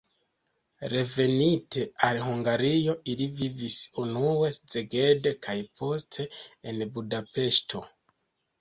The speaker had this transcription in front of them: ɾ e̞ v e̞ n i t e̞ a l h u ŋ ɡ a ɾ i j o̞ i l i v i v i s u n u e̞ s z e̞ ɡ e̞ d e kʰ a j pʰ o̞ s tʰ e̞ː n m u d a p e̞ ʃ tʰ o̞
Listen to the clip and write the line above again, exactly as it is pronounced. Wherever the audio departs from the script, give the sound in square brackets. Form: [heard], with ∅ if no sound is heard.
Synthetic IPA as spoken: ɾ e̞ v e̞ n i t e̞ a l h u ŋ ɡ a ɾ i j o̞ i l i v i v i s u n u e̞ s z e̞ ɡ e̞ d e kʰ a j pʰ o̞ s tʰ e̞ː n [b] u d a p e̞ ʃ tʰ o̞